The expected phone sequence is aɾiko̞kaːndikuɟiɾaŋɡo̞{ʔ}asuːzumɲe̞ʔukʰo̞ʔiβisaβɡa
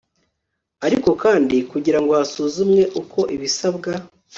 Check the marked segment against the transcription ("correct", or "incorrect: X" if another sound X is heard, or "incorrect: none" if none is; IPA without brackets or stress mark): incorrect: none